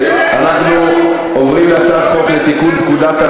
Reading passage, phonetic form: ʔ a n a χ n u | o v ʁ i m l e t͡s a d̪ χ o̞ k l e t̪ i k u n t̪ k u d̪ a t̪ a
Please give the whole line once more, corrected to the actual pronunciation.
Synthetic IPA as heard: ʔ a n a χ n u | o v ʁ i m l a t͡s a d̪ χ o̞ k l e t̪ i k u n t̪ k u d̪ a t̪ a